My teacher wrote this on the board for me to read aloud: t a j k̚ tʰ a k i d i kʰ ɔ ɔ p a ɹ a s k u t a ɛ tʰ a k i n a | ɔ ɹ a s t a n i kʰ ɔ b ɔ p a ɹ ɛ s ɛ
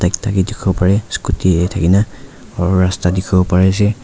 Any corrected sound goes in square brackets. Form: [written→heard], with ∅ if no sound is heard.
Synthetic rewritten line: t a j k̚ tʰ a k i d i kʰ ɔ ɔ p a ɹ [a→ɛ] s k u t [a→i] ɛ tʰ a k i n a | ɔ ɹ a s t a [n→d] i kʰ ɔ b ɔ p a ɹ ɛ s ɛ